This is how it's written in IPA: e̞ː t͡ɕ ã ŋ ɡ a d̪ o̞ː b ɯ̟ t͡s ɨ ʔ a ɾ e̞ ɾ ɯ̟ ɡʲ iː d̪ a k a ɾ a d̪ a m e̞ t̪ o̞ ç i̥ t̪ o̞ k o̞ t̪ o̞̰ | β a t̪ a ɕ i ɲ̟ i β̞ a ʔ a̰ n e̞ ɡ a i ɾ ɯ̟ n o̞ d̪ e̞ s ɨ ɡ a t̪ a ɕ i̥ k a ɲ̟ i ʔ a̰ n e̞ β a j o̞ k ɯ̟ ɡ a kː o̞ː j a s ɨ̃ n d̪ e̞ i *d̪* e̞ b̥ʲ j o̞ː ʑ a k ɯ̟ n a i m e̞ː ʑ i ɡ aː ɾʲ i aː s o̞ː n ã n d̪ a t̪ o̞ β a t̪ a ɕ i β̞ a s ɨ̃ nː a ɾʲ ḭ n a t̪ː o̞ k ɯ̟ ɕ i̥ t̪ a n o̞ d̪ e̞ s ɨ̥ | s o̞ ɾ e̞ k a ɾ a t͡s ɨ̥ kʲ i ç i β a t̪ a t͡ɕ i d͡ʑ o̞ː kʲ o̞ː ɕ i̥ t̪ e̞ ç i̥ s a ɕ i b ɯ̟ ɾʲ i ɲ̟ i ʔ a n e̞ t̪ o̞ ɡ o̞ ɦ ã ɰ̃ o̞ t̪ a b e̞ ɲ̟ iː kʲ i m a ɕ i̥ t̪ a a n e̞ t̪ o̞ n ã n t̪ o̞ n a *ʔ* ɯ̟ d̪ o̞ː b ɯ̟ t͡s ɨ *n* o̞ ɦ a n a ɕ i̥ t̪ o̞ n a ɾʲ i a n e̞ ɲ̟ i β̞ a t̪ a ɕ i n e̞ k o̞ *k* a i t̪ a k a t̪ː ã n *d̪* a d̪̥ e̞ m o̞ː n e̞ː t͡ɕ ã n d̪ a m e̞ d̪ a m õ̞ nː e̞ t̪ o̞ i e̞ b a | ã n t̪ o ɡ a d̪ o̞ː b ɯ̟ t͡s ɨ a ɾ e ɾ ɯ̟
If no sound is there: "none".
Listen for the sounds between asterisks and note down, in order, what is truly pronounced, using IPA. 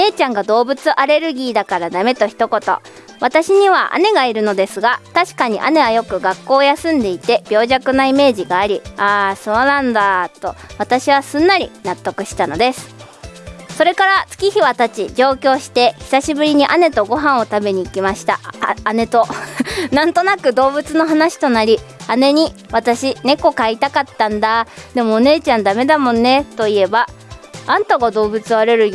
t̪, k, n, k, d̪

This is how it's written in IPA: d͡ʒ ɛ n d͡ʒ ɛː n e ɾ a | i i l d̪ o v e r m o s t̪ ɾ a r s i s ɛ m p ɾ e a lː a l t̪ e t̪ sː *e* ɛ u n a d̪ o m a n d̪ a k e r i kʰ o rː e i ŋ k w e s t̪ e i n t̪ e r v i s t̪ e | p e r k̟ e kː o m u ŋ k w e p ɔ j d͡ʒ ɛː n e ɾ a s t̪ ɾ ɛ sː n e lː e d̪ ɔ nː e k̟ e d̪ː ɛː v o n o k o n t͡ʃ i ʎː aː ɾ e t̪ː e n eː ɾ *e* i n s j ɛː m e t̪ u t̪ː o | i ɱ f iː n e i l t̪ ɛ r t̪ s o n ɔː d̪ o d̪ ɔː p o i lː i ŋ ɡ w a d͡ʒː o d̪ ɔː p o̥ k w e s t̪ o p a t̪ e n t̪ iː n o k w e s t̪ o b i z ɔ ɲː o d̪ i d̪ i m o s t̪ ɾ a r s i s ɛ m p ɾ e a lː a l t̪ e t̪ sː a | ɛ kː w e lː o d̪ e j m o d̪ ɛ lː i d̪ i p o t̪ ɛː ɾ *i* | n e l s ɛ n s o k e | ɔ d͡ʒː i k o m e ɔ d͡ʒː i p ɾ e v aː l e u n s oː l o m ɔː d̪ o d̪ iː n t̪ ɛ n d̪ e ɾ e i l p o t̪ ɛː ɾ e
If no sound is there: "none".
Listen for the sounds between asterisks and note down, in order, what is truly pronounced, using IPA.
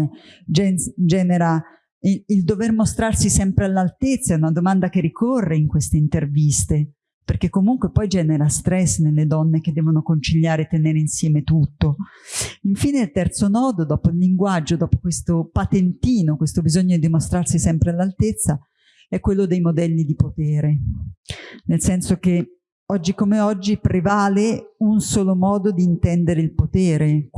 a, e, e

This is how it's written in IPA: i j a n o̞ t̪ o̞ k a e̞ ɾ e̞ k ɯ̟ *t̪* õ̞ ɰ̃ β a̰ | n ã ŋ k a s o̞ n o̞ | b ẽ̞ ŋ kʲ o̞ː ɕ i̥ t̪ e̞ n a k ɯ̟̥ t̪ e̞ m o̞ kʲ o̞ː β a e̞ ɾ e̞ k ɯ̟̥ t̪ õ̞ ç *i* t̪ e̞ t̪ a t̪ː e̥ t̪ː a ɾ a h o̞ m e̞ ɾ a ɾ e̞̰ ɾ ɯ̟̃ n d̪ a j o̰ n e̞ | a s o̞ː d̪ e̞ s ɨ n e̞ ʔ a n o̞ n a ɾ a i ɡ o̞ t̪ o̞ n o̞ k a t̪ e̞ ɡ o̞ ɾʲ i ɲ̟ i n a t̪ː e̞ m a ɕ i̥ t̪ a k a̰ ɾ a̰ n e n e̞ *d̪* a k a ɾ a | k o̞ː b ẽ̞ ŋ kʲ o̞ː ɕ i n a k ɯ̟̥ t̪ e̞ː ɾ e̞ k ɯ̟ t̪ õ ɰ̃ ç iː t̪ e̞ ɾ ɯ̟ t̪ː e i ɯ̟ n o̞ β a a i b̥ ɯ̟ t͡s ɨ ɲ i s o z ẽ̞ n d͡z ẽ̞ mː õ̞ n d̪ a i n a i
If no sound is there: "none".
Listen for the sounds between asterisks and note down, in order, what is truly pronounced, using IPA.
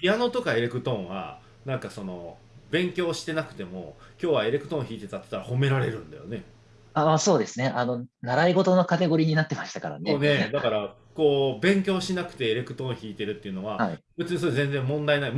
t̪, iː, d̪

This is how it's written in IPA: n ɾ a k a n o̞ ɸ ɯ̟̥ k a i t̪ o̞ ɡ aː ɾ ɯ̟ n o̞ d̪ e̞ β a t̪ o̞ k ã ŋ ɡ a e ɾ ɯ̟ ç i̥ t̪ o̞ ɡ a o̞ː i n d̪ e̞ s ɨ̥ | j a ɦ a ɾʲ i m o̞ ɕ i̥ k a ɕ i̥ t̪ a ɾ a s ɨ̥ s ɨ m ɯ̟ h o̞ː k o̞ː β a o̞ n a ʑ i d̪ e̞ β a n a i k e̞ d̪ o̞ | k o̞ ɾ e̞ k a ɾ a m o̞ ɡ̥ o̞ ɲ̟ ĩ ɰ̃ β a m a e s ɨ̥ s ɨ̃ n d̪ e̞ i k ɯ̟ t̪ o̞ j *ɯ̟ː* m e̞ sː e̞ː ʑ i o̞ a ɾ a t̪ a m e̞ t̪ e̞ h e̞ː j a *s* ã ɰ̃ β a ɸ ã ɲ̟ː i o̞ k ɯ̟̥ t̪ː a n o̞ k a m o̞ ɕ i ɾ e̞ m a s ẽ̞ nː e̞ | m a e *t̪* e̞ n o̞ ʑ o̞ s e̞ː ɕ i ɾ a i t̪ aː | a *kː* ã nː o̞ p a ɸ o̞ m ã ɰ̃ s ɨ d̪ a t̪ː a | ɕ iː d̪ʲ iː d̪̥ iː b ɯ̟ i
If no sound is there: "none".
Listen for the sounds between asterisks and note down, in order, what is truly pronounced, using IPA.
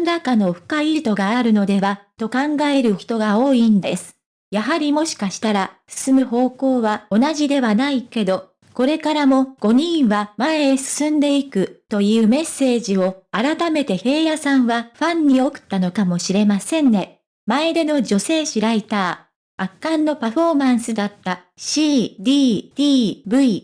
ɯ̟ː, s, d̪, kː

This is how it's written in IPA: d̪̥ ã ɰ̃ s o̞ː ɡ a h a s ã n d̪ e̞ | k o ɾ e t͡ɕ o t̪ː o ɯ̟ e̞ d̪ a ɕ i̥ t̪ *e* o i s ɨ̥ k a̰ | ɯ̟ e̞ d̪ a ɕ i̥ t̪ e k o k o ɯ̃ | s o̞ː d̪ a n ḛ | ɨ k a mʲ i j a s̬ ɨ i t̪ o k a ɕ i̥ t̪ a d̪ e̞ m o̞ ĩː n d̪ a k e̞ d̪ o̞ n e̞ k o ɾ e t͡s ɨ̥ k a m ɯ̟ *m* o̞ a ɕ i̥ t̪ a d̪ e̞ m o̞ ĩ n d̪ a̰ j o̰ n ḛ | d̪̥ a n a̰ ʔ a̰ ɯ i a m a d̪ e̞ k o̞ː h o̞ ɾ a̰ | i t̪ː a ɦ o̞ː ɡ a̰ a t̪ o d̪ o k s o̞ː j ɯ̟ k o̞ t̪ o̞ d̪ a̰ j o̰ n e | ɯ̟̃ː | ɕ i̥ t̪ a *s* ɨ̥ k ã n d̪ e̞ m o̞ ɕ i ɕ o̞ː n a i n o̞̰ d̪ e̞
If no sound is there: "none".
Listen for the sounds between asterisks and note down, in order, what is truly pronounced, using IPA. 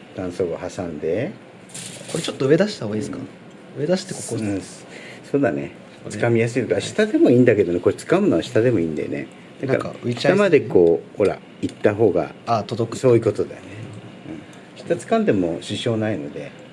a, n, t͡s

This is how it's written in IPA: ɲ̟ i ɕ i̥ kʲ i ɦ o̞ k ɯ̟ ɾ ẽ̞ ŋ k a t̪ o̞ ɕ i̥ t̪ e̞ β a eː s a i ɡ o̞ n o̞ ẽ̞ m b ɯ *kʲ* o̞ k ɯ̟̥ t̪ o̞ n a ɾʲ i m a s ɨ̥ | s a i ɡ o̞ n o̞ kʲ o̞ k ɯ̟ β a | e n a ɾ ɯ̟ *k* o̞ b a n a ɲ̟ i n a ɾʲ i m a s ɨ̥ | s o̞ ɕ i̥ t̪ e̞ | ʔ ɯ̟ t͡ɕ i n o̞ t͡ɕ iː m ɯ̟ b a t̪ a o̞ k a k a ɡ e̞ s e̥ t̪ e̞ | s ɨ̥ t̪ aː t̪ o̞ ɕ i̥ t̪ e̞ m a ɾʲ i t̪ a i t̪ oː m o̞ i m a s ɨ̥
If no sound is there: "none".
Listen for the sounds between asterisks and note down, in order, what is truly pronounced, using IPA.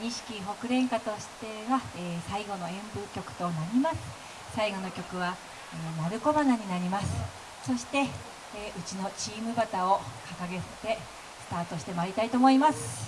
kʲ, k

